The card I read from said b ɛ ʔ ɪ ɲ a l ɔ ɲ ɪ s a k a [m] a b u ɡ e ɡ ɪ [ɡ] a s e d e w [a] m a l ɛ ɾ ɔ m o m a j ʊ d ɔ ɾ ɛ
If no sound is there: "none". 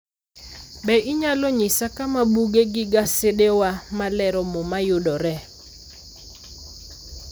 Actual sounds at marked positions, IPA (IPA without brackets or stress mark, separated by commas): m, ɡ, a